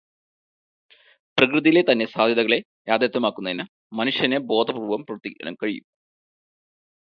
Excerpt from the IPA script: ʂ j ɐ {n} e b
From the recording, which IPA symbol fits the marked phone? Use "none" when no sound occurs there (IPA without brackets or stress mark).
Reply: n